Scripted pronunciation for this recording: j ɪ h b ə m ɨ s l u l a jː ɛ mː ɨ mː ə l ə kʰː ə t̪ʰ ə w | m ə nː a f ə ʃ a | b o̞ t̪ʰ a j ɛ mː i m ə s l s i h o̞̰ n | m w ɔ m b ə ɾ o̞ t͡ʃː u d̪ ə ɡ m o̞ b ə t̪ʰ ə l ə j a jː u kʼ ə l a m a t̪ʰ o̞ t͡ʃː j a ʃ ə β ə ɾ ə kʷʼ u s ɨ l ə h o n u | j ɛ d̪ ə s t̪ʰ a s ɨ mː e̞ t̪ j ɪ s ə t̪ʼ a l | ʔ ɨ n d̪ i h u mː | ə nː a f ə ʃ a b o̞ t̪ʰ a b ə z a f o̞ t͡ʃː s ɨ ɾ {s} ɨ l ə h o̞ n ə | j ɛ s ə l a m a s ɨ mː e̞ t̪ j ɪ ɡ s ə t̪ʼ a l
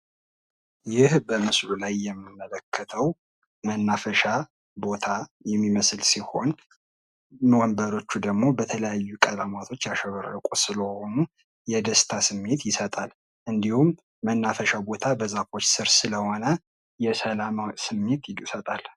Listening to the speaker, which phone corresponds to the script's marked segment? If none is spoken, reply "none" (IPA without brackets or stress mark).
s